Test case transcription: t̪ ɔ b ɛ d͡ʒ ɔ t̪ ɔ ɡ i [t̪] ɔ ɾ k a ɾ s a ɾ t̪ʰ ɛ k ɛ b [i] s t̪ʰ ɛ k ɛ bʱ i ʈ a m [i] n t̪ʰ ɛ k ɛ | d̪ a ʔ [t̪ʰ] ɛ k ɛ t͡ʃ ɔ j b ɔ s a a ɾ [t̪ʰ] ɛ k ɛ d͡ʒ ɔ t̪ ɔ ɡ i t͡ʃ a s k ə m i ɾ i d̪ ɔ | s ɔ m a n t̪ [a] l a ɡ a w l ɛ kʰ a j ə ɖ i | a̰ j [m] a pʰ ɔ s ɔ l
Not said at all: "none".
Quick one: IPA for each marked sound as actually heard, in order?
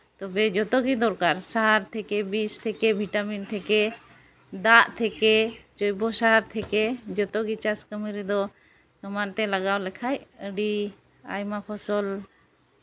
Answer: d̪, i, i, t̪ʰ, t̪ʰ, ɛ, m

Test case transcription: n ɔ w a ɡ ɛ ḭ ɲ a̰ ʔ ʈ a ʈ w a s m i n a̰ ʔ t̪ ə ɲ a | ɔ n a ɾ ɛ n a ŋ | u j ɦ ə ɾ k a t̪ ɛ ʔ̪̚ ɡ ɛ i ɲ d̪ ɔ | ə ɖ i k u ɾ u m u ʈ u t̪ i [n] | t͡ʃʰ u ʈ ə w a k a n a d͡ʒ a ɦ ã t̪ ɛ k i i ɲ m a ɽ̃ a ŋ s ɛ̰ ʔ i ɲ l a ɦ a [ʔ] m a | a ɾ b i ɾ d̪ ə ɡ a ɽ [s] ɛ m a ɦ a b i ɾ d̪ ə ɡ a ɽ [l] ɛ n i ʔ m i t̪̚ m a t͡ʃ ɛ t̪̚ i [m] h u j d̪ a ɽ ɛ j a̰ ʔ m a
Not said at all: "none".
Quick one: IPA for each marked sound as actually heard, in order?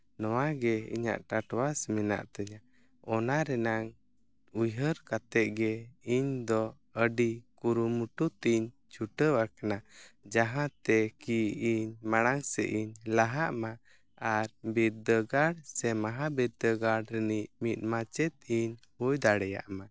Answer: ɲ, ʔ, s, ɾ, ɲ

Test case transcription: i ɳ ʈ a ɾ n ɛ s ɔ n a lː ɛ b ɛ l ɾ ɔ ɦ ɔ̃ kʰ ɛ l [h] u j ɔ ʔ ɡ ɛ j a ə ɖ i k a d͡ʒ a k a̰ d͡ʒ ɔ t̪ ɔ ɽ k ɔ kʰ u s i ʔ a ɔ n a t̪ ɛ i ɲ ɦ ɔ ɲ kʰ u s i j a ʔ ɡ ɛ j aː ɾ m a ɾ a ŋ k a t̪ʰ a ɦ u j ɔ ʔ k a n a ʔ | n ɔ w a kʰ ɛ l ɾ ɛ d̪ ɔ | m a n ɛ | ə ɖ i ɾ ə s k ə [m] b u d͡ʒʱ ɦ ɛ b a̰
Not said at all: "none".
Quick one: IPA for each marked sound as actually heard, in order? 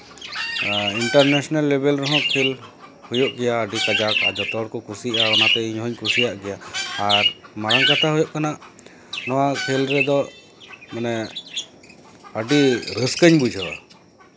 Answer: h, ɲ

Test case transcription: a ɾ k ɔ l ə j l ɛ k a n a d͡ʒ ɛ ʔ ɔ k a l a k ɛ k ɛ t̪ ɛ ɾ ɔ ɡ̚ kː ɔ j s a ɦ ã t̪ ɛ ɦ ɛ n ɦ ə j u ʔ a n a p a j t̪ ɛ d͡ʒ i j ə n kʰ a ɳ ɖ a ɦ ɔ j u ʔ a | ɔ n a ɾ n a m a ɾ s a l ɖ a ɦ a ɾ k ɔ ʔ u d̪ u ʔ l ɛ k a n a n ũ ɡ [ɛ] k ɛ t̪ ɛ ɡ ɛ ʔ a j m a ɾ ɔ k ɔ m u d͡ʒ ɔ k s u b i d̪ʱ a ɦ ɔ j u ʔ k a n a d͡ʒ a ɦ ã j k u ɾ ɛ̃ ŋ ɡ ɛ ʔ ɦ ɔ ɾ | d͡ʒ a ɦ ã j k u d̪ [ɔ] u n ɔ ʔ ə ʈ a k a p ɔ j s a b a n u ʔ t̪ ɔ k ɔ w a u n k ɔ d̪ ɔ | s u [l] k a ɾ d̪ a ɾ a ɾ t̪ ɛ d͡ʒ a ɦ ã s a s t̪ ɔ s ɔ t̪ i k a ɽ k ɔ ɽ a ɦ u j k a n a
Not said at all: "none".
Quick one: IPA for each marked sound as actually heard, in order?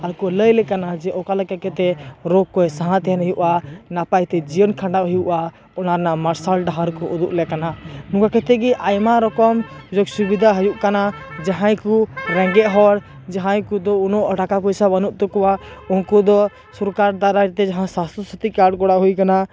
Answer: a, ɔ, ɾ

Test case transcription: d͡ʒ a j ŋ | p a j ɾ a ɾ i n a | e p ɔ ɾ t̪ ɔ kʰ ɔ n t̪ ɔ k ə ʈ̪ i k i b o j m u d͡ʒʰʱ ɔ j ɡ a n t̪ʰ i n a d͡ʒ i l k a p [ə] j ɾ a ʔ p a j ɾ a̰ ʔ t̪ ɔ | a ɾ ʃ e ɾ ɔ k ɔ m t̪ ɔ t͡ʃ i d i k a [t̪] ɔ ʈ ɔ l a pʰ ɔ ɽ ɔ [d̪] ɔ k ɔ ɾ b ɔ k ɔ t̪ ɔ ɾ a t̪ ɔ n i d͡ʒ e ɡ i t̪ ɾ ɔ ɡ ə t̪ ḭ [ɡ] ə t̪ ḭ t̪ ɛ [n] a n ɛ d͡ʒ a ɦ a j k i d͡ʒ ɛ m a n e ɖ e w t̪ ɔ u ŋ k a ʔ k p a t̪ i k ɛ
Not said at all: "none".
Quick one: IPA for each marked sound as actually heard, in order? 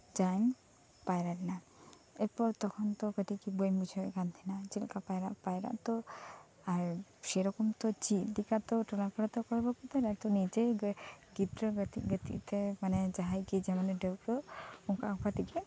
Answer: a, t̪, t̪, ɡ, m

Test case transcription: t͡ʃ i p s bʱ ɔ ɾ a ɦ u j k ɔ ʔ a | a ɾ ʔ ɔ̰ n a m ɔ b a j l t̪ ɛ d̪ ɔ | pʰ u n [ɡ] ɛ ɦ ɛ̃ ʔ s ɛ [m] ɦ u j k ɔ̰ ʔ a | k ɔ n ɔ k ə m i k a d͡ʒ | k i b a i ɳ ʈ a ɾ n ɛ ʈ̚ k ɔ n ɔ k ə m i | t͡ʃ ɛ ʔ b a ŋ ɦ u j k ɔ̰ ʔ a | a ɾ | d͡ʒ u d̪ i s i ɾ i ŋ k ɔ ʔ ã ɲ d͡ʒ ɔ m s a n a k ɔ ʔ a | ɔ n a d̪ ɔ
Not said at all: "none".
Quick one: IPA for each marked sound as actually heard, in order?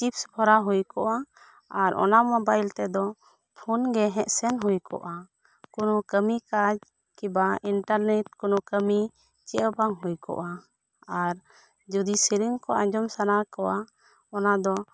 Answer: ɡ, n

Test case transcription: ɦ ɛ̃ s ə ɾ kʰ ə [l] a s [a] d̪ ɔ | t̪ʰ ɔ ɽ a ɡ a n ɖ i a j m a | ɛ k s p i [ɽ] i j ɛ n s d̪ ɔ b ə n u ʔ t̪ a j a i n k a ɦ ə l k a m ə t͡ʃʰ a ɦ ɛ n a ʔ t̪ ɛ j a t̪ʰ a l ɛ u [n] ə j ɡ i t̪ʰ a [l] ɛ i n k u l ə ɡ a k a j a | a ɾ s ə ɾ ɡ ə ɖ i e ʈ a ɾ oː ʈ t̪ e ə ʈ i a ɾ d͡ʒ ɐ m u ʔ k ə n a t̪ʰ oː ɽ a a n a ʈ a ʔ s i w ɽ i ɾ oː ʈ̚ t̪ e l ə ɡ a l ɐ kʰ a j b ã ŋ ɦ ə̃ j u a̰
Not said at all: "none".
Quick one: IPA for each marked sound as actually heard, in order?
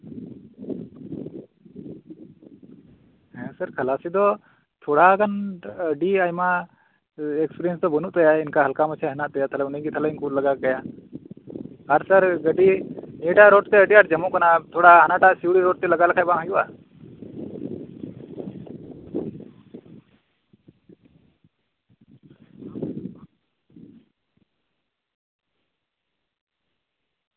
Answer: l, i, ɾ, n, l

